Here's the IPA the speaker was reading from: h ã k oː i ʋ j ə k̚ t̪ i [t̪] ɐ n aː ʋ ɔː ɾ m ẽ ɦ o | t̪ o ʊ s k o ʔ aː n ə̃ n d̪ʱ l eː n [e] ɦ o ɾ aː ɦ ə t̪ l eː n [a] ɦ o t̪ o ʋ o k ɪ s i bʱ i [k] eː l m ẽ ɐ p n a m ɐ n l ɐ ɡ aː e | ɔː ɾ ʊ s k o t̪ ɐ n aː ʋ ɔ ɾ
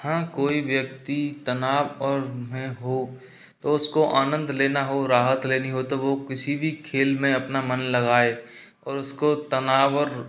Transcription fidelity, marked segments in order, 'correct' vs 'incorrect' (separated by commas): correct, incorrect, incorrect, incorrect